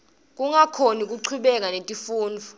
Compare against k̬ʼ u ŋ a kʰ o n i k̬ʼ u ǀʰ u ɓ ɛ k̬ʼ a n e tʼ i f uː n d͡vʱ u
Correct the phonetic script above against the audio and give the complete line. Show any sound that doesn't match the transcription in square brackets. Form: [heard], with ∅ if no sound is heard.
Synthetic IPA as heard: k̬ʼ u ŋ a kʰ o n i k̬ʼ u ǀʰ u ɓ ɛ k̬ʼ a n e tʼ i f uː n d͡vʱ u